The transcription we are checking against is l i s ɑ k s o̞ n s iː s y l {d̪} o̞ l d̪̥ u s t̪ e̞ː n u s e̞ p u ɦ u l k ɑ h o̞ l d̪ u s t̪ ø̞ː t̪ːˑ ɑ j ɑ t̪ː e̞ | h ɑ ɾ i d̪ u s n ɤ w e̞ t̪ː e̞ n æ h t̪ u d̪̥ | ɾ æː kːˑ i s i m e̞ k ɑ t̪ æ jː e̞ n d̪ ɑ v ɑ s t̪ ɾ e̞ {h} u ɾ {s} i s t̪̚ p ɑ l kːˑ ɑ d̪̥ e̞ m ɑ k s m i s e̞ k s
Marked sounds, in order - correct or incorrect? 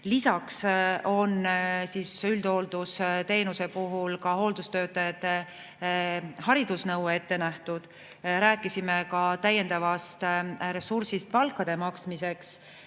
correct, incorrect: s, correct

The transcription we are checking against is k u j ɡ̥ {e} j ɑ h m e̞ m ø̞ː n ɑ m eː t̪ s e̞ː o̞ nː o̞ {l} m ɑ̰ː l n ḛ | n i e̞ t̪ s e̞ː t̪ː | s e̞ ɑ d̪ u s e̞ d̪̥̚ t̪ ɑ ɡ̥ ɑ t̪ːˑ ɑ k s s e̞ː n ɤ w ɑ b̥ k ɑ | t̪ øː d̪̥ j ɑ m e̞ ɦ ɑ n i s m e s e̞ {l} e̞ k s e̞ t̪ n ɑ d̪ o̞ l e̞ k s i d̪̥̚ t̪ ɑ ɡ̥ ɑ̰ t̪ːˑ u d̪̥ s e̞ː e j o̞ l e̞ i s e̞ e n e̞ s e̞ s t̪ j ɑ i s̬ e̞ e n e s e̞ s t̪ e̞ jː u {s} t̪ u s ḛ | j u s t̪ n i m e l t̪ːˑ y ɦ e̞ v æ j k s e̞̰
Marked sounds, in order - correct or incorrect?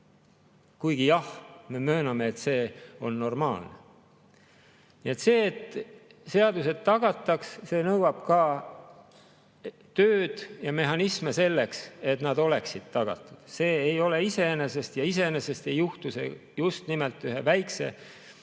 incorrect: i, incorrect: r, incorrect: lː, incorrect: h

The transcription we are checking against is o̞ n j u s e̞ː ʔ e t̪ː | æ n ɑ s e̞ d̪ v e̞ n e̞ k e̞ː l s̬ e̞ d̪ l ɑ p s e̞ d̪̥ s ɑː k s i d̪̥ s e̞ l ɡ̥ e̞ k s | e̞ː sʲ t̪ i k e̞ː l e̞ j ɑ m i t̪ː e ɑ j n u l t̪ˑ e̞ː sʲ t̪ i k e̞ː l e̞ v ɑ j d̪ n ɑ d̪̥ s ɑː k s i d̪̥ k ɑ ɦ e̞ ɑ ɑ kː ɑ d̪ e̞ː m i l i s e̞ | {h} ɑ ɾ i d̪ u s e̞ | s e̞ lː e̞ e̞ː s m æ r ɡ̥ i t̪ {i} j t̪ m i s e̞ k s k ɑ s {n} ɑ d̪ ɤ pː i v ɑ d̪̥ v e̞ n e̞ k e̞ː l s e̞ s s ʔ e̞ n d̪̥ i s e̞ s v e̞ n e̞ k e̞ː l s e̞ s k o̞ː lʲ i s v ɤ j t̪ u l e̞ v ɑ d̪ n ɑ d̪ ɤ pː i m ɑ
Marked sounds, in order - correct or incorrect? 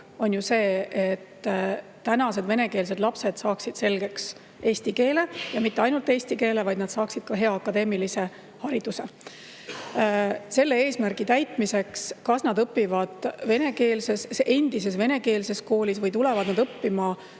correct, incorrect: æ, correct

